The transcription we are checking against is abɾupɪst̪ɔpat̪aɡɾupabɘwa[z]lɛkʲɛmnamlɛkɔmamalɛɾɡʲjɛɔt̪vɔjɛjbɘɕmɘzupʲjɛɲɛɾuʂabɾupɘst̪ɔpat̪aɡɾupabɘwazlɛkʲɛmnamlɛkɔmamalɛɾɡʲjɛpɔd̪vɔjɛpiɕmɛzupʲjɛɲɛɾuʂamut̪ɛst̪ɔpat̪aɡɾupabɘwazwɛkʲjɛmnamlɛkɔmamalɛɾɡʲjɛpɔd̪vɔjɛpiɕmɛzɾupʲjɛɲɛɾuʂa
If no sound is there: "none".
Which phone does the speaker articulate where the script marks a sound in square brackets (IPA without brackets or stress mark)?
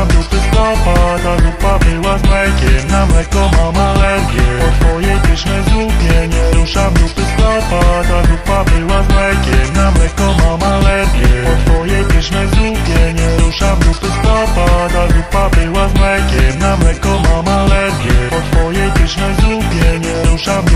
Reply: z